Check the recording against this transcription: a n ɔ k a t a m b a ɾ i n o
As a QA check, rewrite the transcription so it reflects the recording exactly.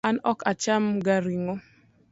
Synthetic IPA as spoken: a n ɔ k a t͡ʃ a m ɡ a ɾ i ŋ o